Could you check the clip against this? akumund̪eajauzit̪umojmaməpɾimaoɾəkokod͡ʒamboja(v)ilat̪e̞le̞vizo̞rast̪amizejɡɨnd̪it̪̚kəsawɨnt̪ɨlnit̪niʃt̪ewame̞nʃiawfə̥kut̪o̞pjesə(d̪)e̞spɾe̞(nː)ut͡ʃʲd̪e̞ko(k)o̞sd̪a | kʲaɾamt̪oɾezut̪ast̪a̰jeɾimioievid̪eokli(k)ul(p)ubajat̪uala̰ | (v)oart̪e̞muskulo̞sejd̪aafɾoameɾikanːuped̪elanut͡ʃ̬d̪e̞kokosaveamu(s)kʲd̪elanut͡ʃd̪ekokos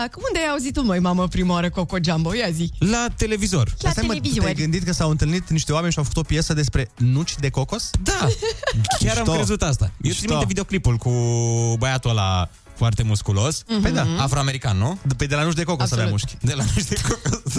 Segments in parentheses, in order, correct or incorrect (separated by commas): incorrect, correct, incorrect, correct, incorrect, incorrect, incorrect, incorrect